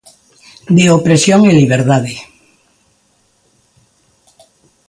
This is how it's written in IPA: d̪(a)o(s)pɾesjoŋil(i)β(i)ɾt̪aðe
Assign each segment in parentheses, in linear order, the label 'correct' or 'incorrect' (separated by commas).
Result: incorrect, incorrect, correct, incorrect